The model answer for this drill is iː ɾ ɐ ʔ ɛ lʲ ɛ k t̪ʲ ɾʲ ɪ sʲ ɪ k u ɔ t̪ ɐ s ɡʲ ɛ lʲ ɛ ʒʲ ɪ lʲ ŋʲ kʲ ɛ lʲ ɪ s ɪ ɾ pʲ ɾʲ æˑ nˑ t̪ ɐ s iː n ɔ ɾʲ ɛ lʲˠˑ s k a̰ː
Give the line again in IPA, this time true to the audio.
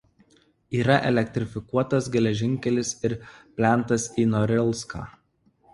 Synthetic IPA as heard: iː ɾ ɐ ʔ ɛ lʲ ɛ k t̪ʲ ɾʲ ɪ fʲ ɪ k u ɔ t̪ ɐ s ɡʲ ɛ lʲ ɛ ʒʲ ɪ ŋʲ kʲ ɛ lʲ ɪ s ɪ ɾ pʲ lʲ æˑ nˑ t̪ ɐ s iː n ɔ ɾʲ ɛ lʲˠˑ s k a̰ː